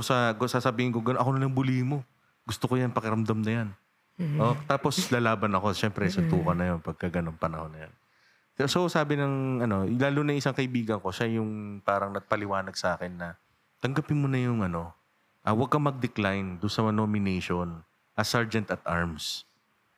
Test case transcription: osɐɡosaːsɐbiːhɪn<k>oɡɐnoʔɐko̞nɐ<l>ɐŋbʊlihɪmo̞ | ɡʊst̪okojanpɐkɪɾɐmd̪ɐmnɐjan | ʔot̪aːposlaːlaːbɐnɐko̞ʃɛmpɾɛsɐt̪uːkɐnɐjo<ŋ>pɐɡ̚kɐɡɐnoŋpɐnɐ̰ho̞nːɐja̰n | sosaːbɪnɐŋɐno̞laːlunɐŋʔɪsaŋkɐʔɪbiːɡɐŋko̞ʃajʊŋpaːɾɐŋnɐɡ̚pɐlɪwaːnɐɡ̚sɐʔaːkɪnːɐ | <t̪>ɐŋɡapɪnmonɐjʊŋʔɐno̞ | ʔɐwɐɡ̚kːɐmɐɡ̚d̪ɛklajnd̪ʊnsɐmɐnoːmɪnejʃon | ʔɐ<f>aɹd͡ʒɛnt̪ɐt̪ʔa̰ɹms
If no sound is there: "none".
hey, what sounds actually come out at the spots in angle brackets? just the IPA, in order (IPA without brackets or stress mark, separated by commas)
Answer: k, l, n, t̪, s